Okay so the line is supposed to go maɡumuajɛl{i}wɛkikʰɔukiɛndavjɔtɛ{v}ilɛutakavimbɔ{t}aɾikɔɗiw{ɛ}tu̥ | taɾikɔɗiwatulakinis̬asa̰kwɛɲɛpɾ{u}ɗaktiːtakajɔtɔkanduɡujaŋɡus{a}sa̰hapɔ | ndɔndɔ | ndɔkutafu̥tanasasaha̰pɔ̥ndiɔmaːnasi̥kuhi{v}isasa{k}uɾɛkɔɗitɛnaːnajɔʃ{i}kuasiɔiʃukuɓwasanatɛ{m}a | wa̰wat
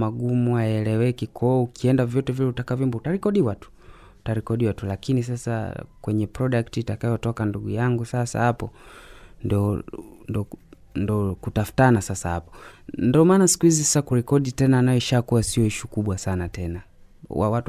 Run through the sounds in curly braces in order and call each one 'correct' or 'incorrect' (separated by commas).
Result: incorrect, correct, correct, incorrect, incorrect, correct, incorrect, correct, incorrect, incorrect